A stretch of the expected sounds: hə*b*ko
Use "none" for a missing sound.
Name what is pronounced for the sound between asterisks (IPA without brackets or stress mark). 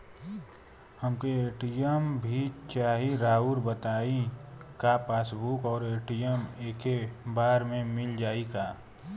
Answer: m